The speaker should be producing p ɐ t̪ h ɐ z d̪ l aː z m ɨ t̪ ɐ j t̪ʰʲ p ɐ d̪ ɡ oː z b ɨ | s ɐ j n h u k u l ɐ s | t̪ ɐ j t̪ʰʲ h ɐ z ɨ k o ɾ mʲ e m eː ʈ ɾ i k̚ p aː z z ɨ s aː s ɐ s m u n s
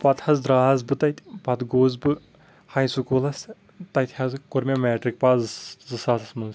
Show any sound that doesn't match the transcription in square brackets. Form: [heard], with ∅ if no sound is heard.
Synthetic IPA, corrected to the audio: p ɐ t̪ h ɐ z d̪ [ɾ] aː z [b] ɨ t̪ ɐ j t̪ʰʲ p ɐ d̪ ɡ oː z b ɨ | [h] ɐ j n [s] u k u l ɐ s | t̪ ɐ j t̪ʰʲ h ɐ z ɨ k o ɾ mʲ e m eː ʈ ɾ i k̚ p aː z z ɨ s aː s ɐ s m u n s